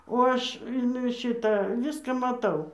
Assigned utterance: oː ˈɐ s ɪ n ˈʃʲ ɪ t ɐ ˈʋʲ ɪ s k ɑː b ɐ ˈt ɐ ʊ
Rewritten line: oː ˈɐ ʃ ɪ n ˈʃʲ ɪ t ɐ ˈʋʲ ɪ s k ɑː m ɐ ˈt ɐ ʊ